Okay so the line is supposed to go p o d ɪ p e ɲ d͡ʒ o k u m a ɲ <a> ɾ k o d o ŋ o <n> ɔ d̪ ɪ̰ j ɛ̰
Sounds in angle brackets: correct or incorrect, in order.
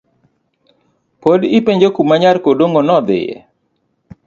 correct, correct

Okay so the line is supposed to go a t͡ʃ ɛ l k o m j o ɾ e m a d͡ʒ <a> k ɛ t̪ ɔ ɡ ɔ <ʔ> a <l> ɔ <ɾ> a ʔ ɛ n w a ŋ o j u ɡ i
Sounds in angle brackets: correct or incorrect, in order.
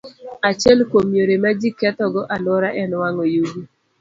incorrect: i, correct, correct, correct

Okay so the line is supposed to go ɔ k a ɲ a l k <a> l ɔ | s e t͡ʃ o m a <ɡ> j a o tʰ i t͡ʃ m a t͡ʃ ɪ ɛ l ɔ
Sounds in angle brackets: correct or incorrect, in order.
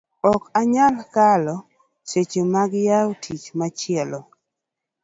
correct, correct

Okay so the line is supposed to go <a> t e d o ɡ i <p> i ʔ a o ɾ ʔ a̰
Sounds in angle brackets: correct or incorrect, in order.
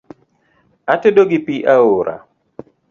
correct, correct

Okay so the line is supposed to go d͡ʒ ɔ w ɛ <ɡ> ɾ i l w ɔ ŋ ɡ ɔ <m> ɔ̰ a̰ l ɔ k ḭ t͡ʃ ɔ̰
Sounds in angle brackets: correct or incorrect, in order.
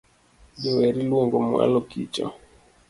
incorrect: none, correct

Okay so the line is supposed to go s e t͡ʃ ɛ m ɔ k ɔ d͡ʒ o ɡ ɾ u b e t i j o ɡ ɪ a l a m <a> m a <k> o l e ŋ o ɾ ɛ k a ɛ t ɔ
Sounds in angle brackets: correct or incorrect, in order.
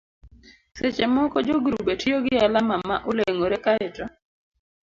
correct, incorrect: ʔ

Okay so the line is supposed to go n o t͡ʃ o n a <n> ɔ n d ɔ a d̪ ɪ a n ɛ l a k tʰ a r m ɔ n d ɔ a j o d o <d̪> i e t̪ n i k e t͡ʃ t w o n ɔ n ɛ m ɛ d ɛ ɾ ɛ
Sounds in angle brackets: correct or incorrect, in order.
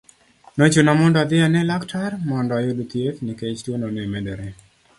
incorrect: m, incorrect: t̪

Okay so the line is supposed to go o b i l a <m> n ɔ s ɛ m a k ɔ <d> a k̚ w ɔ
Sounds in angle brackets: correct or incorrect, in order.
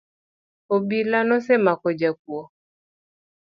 incorrect: none, incorrect: d͡ʒ

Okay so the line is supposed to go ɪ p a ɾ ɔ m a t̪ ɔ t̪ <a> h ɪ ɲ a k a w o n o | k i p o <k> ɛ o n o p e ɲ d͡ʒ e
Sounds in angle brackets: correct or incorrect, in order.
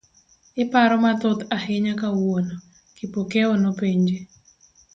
correct, correct

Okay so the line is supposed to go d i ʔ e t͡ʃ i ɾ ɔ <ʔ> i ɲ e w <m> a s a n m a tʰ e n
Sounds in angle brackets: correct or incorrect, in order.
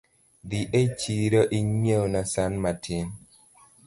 correct, incorrect: n

